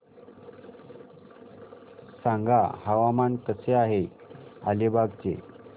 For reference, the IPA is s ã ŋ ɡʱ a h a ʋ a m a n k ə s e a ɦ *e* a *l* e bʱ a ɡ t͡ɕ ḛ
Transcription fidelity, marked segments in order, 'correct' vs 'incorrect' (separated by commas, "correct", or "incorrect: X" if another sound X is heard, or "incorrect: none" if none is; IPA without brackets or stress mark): correct, correct